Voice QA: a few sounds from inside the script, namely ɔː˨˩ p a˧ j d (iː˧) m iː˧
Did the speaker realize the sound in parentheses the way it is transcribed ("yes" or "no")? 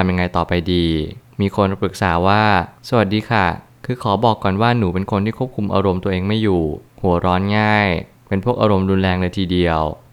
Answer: yes